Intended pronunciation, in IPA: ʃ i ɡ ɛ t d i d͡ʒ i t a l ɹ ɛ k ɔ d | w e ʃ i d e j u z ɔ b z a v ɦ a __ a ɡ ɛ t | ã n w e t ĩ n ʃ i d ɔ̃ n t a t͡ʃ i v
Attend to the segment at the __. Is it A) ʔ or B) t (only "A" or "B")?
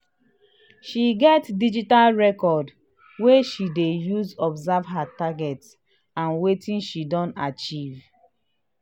B